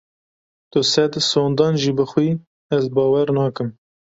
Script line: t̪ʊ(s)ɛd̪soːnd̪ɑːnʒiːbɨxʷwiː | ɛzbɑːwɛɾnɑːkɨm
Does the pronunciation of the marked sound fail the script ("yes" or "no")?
no